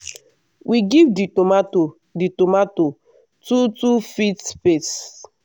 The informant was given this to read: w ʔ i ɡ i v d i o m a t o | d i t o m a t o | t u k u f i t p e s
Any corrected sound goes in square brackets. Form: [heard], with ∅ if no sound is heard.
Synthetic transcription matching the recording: w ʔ i ɡ i v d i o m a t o | d i t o m a t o | t u [t] u f i t p e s